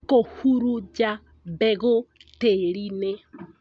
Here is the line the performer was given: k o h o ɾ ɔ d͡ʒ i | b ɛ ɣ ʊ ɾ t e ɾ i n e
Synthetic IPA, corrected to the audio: k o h u ɾ u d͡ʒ a | b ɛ ɣ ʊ t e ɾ i n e